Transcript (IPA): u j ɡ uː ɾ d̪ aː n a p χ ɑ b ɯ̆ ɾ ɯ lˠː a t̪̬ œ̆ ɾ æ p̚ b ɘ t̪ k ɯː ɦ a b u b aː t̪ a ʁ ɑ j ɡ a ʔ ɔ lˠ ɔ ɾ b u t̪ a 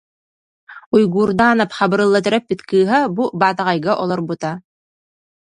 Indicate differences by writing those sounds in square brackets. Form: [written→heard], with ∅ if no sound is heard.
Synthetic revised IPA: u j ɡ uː ɾ d̪ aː n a p χ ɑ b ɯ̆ ɾ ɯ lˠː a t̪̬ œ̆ ɾ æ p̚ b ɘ t̪ k ɯː ɦ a b u b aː t̪ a ʁ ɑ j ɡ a ʔ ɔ lˠ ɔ ɾ b u t̪ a

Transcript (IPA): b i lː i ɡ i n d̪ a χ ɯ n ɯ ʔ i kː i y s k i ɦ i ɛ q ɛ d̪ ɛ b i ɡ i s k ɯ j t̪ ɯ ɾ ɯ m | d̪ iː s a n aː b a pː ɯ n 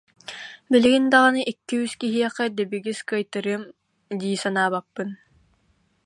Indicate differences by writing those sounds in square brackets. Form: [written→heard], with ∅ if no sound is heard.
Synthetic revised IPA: b i [lː→l] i ɡ i n d̪ a [χ→ʁ] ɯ n ɯ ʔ i kː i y s k i ɦ i ɛ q ɛ d̪ ɛ b i ɡ i s k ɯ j t̪ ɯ ɾ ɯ m | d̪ iː s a n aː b a pː ɯ n

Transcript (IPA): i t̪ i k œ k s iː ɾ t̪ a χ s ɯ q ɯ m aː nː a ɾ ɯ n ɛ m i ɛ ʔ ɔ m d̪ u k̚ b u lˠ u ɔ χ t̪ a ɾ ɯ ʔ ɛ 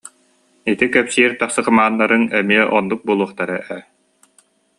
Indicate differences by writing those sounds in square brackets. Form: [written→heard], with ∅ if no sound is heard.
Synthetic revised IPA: i t̪ i k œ [k→p] s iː ɾ t̪ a χ s ɯ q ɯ m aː nː a ɾ ɯ n ɛ m i ɛ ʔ ɔ [m→n] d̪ u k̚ b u lˠ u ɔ χ t̪ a ɾ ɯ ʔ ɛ

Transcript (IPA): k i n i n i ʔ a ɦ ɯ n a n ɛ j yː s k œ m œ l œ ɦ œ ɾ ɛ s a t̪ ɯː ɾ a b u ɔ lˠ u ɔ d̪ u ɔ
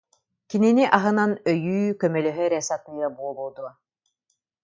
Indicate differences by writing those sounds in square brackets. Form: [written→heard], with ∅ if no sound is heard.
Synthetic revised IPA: k i n i n i ʔ a ɦ ɯ n a n [ɛ→œ] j yː [s→∅] k œ m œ l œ ɦ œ ɾ ɛ s a t̪ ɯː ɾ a b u ɔ lˠ u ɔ d̪ u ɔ

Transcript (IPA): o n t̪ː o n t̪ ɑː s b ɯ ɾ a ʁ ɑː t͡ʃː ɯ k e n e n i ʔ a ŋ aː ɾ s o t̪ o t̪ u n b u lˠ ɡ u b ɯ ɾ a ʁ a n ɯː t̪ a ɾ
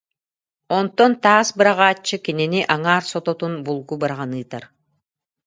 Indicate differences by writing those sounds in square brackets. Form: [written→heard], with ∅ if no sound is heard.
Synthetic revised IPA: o n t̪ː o n t̪ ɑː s b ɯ ɾ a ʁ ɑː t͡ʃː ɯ k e n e n i ʔ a ŋ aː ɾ s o t̪ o t̪ u n b u lˠ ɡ u b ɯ ɾ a ʁ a n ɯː t̪ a ɾ

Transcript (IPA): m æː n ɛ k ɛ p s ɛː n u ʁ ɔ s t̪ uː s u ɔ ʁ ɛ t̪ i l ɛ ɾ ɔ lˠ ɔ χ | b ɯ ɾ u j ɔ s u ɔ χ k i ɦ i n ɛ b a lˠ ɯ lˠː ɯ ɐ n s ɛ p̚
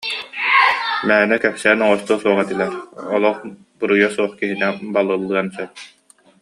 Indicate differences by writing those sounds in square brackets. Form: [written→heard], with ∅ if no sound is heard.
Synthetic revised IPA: m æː n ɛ k ɛ p s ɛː n [u→ɔ] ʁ ɔ s t̪ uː s u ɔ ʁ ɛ t̪ i l ɛ ɾ ɔ lˠ ɔ χ | b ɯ ɾ u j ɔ s u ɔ χ k i ɦ i n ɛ b a lˠ ɯ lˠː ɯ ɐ n s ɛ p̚

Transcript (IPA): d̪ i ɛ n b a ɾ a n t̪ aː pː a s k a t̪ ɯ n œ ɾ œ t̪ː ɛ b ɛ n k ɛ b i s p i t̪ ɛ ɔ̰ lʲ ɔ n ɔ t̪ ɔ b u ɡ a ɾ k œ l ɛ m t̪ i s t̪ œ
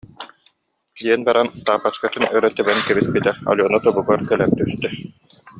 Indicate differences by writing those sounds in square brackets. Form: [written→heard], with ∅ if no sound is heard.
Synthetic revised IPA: d̪ i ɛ n b a ɾ a n t̪ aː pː a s k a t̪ ɯ n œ ɾ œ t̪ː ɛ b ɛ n k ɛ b i s p i t̪ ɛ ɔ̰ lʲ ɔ n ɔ t̪ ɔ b u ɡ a ɾ k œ l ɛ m t̪ [i→y] s t̪ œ

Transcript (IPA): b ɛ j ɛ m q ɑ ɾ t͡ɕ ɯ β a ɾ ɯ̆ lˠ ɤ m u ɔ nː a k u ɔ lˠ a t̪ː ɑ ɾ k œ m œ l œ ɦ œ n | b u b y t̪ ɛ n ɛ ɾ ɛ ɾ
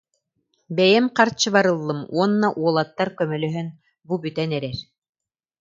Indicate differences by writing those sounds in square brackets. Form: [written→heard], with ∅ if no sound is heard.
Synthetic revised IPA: b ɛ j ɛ m q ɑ ɾ t͡ɕ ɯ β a ɾ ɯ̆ [lˠ→lˠː] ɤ m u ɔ nː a [k→ʔ] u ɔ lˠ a t̪ː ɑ ɾ k œ m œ l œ ɦ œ n | b u b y t̪ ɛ n ɛ ɾ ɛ ɾ

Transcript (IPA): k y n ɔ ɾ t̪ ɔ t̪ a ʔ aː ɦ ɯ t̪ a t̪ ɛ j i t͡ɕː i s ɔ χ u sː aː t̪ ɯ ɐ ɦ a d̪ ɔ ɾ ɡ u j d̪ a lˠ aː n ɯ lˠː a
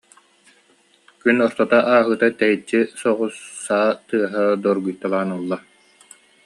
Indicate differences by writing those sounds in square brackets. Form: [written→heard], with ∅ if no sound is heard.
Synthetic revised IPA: k y n ɔ ɾ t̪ ɔ t̪ a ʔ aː ɦ ɯ t̪ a t̪ ɛ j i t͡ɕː i s ɔ [χ→ʁ] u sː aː t̪ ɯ ɐ ɦ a d̪ ɔ ɾ ɡ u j [d̪→t̪] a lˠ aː n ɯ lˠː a

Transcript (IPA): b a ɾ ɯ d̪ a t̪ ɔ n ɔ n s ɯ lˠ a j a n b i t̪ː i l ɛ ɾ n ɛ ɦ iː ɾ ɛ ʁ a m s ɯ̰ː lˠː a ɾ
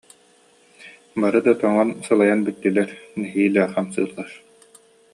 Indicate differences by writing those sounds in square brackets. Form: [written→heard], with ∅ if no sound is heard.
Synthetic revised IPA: b a ɾ ɯ d̪ a t̪ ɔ [n→ŋ] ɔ n s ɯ lˠ a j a n b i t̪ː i l ɛ ɾ n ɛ ɦ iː [ɾ→l] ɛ [ʁ→χ] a m s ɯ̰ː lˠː a ɾ

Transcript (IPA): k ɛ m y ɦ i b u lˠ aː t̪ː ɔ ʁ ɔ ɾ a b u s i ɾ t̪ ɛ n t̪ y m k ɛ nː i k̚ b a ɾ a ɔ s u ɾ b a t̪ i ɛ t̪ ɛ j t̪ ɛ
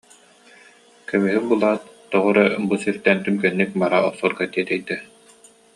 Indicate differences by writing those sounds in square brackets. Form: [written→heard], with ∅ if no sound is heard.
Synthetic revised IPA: k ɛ m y ɦ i b u lˠ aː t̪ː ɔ ʁ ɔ ɾ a b u s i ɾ t̪ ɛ n t̪ y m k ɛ nː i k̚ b a ɾ a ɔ s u ɾ [b→ɡ] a t̪ i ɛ t̪ ɛ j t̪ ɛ

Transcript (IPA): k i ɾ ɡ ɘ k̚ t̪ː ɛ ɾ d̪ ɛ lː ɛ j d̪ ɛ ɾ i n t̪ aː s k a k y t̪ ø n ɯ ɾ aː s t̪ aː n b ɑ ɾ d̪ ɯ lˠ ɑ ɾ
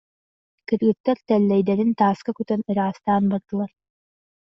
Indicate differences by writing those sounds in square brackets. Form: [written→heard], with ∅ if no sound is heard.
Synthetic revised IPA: k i ɾ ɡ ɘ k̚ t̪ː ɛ ɾ [d̪→t̪] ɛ lː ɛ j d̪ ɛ ɾ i n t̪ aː s k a k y t̪ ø n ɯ ɾ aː s t̪ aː n b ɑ ɾ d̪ ɯ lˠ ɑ ɾ

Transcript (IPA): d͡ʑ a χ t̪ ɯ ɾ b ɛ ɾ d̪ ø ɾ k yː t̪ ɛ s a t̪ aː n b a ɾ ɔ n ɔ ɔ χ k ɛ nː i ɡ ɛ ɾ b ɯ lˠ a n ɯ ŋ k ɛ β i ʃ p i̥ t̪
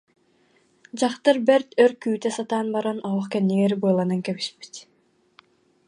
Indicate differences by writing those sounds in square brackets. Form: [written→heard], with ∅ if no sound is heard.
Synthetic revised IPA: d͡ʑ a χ t̪ ɯ ɾ b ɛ ɾ [d̪→t̪] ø ɾ k yː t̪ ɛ s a t̪ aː n b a ɾ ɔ n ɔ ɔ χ k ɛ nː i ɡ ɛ ɾ b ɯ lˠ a n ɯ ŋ k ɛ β i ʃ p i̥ t̪

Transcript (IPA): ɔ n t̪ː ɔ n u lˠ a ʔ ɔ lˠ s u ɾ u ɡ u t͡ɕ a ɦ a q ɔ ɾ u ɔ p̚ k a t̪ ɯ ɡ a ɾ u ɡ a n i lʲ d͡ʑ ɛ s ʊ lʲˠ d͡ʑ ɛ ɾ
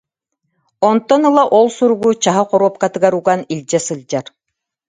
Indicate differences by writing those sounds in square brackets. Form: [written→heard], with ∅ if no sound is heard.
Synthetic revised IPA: ɔ n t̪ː ɔ n [u→ɯ] lˠ a ʔ ɔ lˠ s u ɾ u ɡ u t͡ɕ a ɦ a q ɔ ɾ u ɔ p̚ k a t̪ ɯ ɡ a ɾ u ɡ a n i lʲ d͡ʑ ɛ s [ʊ→ɯ] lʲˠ d͡ʑ [ɛ→a] ɾ

